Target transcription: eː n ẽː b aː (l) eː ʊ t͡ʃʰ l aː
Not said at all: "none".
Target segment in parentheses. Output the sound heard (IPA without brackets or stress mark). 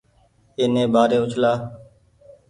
ɾ